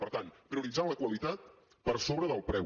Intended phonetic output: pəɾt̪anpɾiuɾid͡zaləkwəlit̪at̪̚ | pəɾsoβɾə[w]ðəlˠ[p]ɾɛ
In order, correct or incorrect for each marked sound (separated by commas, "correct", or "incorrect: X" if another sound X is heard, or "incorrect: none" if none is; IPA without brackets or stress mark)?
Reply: incorrect: none, correct